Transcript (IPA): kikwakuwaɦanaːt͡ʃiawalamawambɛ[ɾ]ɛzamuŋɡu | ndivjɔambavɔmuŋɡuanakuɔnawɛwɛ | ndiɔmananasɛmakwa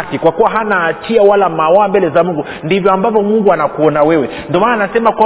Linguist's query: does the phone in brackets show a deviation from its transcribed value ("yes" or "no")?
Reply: yes